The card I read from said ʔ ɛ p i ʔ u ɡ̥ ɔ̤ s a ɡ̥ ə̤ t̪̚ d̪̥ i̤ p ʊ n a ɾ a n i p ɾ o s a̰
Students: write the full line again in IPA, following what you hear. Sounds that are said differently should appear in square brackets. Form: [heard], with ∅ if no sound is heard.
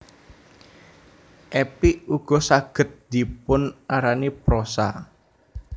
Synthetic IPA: ʔ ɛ p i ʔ u ɡ̥ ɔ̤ s a ɡ̥ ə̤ t̪̚ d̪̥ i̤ p ʊ n a ɾ a n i p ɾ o s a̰